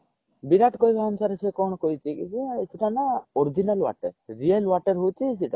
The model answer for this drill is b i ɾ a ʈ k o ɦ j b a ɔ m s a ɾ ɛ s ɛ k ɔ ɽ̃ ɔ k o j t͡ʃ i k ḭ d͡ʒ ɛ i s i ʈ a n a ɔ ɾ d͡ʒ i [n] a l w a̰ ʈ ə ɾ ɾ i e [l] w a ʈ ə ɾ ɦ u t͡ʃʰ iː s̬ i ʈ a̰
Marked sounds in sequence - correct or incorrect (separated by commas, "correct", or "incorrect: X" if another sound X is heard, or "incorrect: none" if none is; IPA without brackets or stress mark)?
correct, correct